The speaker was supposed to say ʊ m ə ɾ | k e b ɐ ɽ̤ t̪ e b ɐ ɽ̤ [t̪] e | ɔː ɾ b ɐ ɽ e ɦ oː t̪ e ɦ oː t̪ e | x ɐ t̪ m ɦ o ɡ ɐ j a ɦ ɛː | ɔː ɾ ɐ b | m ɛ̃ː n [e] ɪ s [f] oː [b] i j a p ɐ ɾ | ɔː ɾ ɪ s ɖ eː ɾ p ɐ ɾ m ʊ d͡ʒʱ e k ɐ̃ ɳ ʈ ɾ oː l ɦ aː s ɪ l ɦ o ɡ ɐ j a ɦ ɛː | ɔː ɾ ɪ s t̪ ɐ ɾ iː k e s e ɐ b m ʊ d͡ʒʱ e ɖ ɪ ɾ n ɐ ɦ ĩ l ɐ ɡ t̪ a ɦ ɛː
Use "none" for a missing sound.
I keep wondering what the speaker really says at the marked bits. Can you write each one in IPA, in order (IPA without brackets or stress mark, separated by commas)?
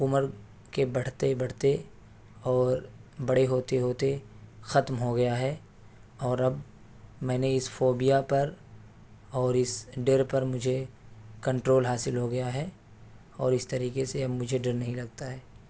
t̪, e, f, b